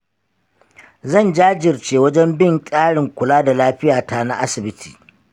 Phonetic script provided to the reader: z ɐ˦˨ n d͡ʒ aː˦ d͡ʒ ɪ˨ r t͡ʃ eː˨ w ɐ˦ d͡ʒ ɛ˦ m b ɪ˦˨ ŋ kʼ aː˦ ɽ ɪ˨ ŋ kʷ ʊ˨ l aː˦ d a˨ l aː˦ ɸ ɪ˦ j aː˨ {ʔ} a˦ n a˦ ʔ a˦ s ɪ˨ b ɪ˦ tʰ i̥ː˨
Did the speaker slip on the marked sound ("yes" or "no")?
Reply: yes